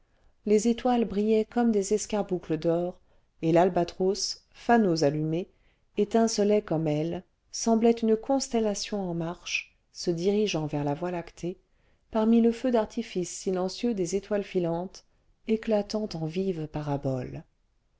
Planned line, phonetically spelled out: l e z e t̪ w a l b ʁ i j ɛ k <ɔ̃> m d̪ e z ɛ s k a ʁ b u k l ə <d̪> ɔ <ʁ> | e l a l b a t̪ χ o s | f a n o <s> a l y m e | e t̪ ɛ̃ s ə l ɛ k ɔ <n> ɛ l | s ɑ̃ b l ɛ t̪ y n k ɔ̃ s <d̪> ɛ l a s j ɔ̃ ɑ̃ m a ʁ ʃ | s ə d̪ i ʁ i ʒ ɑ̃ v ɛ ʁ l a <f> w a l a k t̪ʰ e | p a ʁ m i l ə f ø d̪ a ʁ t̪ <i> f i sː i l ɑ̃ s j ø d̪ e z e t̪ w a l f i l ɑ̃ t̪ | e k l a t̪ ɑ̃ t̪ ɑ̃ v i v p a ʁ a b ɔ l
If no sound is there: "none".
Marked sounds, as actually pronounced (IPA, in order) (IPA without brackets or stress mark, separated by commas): ɔ, d̪, ʁ, z, m, t̪, v, i